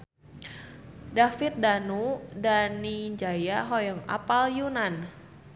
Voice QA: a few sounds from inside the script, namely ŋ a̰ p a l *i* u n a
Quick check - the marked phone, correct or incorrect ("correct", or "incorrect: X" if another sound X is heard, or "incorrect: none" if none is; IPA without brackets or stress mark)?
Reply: incorrect: j